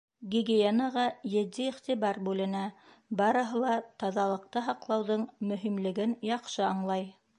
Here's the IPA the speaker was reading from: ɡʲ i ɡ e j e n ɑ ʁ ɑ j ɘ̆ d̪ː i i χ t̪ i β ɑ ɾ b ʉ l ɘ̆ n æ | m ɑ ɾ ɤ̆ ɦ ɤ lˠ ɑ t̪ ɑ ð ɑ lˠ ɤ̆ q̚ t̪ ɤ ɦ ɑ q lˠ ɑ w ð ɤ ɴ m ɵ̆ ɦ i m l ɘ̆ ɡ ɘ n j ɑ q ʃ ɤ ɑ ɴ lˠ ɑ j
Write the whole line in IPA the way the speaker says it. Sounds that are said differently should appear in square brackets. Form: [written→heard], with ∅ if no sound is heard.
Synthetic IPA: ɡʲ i ɡ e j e n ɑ ʁ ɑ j ɘ̆ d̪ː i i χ t̪ i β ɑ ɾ b ʉ l ɘ̆ n æ | [m→b] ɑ ɾ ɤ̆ ɦ ɤ lˠ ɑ t̪ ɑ ð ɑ lˠ ɤ̆ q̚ t̪ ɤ ɦ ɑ q lˠ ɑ w ð ɤ ɴ m ɵ̆ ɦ i m l ɘ̆ ɡ ɘ n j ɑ q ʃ ɤ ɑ ɴ lˠ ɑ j